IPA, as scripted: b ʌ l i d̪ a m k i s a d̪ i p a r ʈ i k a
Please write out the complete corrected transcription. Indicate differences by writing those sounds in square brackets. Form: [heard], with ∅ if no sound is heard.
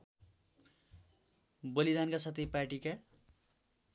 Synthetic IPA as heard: b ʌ l i d̪ a [n] k [a] s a [t̪] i p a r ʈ i k a